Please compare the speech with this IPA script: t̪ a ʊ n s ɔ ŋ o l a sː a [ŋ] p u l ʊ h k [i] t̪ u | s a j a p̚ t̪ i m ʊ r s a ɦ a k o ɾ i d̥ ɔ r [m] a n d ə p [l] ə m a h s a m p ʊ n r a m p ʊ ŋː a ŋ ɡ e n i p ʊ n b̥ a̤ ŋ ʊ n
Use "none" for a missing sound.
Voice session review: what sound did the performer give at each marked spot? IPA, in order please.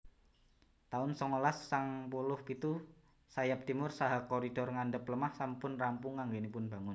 ŋ, i, ŋ, l

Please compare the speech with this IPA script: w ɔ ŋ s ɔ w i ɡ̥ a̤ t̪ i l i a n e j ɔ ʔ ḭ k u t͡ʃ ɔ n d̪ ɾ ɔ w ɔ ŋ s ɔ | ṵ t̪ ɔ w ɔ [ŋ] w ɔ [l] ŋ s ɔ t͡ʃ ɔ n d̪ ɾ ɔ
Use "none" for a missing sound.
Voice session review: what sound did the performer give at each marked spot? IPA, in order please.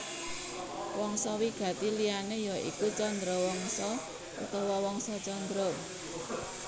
none, none

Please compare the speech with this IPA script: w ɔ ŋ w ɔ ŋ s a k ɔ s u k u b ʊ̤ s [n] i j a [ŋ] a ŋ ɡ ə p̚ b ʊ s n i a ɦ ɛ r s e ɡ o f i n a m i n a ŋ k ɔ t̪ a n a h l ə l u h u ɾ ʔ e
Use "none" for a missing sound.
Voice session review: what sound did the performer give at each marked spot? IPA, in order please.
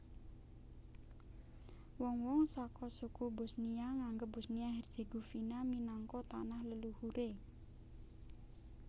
n, ŋ

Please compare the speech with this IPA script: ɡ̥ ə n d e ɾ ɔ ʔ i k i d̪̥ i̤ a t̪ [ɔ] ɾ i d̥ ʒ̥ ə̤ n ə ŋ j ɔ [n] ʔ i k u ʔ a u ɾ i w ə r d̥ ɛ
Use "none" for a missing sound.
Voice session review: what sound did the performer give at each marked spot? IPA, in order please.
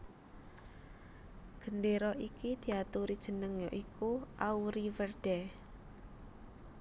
u, none

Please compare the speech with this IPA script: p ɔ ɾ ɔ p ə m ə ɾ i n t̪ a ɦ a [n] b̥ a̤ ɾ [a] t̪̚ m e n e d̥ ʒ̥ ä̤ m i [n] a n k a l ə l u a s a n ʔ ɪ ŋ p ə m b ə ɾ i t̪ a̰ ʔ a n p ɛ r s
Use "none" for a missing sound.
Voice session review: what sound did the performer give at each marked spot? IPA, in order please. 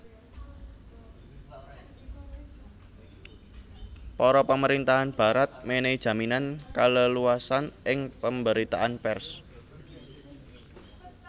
n, a, n

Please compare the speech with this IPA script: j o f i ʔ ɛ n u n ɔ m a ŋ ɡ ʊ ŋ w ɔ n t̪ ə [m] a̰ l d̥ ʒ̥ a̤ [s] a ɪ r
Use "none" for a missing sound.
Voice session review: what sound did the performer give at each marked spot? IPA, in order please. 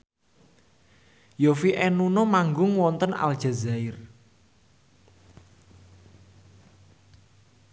n, z

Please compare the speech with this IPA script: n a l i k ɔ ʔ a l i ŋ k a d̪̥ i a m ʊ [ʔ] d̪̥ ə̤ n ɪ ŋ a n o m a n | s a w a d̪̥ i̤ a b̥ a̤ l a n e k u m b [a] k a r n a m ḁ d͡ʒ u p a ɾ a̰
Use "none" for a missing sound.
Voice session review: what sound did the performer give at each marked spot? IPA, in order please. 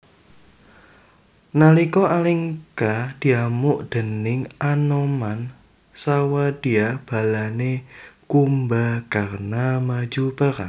ʔ, a

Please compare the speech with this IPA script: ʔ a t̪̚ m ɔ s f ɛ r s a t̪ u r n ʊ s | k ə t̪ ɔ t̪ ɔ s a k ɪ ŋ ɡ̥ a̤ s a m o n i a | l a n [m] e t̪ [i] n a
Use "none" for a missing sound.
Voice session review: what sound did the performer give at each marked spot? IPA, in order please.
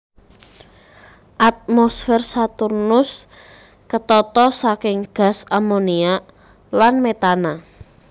m, a

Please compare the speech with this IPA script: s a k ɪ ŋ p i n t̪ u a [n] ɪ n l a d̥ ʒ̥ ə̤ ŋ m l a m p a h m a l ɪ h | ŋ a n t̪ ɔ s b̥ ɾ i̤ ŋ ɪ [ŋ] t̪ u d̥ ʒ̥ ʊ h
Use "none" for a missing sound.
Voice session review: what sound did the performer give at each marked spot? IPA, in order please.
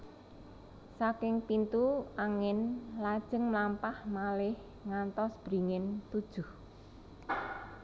ŋ, n

